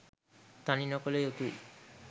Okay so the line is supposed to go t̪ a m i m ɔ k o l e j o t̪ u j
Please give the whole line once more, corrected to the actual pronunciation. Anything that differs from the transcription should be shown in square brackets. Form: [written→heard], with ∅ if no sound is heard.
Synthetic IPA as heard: t̪ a [m→n] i [m→n] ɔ k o l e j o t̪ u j